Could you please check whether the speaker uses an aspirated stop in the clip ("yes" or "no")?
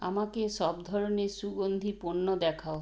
yes